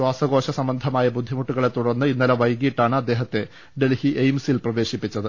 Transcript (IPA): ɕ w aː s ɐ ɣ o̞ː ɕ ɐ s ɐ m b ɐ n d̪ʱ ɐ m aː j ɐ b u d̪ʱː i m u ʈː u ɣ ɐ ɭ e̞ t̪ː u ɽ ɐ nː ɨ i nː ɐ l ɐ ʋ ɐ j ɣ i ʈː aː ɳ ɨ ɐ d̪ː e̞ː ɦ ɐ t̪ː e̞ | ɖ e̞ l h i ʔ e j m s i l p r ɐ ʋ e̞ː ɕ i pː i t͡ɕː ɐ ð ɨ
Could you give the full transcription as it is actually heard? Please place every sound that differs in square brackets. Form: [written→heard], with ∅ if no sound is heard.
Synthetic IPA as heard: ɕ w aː s ɐ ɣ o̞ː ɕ ɐ s ɐ m b ɐ n d̪ʱ ɐ m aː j ɐ b u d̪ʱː i m u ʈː u ɣ ɐ ɭ e̞ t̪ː u ɽ ɐ nː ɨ i nː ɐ l ɐ ʋ ɐ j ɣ i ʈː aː ɳ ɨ ɐ d̪ː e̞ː ɦ ɐ t̪ː e̞ | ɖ e̞ l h i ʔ e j m s i l p r ɐ ʋ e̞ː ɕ i pː i t͡ɕː ɐ ð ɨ